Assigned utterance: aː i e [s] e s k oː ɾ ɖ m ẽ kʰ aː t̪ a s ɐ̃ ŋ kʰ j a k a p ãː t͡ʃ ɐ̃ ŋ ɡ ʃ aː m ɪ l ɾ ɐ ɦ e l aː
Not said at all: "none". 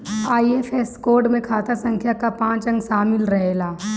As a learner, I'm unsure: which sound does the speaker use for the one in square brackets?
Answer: f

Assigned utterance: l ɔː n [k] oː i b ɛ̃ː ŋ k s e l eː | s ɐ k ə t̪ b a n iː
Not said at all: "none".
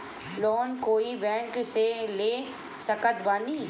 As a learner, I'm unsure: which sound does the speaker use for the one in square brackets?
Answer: k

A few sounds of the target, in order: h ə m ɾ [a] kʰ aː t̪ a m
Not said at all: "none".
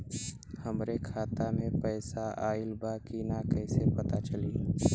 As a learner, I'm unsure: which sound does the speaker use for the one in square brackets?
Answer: e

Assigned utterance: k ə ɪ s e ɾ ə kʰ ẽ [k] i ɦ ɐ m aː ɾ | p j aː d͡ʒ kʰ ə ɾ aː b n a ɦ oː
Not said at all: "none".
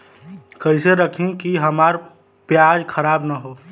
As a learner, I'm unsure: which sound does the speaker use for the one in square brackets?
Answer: k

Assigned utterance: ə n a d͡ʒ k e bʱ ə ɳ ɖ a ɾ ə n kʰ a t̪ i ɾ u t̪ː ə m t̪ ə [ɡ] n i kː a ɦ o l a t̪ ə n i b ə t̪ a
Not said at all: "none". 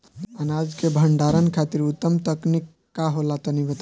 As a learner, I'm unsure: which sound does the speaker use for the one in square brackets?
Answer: k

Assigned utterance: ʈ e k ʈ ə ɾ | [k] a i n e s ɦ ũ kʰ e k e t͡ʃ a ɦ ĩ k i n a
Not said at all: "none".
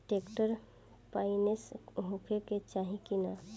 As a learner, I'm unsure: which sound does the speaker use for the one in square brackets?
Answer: p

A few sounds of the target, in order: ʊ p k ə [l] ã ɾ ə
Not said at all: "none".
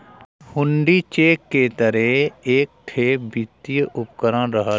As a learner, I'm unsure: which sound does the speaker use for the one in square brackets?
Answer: ɾ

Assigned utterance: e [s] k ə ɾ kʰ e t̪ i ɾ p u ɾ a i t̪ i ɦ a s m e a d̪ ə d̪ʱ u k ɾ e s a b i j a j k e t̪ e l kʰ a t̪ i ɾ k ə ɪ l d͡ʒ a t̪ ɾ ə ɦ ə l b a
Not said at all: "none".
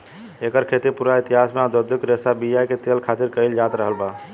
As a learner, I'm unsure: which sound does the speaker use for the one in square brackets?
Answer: none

